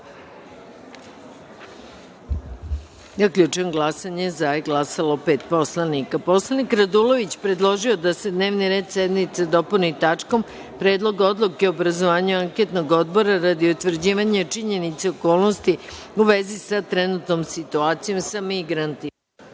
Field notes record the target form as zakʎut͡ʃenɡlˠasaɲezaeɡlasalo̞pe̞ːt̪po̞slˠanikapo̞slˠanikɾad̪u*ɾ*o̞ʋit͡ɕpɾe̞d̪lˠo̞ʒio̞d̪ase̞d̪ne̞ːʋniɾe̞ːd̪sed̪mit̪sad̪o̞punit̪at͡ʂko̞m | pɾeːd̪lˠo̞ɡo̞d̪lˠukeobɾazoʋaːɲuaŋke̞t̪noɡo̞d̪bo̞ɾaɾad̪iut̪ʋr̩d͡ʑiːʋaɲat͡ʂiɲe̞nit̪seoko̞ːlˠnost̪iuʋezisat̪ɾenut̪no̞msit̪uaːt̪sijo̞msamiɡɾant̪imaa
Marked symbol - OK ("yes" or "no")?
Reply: no